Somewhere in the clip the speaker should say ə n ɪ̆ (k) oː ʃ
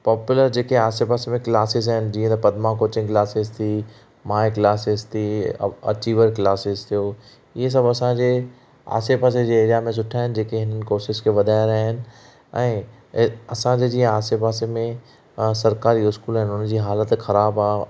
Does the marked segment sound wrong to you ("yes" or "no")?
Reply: no